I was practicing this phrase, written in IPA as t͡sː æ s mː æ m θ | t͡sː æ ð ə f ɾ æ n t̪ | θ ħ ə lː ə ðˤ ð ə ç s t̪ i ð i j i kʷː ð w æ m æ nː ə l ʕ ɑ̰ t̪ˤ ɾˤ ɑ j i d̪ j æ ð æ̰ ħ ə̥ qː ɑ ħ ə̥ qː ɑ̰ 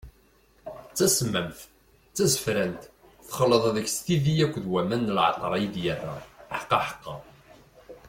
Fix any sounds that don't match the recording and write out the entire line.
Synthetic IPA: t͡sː æ s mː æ m θ | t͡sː æ z ə f ɾ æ n t̪ | θ χ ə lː ə ðˤ ð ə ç s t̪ i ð i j æ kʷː ð w æ m æ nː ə l ʕ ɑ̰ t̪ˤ ɾˤ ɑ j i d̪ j æ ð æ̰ ħ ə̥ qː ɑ ħ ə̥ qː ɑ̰